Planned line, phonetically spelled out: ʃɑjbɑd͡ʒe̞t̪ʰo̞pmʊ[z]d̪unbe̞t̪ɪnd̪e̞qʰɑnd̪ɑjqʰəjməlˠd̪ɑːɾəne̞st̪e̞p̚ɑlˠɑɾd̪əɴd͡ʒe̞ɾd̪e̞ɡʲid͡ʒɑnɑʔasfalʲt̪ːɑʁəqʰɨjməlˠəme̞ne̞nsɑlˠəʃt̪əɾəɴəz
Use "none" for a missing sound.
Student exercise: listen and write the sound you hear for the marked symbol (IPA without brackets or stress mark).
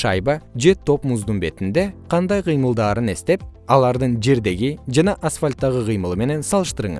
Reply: z